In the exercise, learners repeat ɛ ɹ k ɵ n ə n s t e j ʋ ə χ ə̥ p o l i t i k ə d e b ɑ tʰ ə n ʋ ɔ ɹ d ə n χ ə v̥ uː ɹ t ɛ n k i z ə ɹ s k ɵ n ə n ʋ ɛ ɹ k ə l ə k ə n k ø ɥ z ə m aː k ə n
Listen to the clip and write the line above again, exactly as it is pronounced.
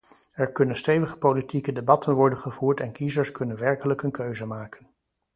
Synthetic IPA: ɛ ɹ k ɵ n ə n s t e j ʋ ə χ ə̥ p o l i t i k ə d e b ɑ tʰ ə n ʋ ɔ ɹ d ə n χ ə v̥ uː ɹ t ɛ n k i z ə ɹ s k ɵ n ə n ʋ ɛ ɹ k ə l ə k ə n k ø ɥ z ə m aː k ə n